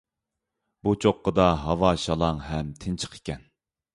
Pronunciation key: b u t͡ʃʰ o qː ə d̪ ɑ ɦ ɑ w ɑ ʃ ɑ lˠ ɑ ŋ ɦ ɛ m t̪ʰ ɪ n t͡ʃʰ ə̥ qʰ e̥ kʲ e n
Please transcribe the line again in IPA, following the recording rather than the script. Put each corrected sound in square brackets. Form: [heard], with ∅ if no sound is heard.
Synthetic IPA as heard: b u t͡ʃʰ o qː ə d̪ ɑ ɦ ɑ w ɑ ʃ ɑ lˠ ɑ ŋ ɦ ɛ m t̪ʰ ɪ n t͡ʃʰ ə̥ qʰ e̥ kʲ [ɛ] n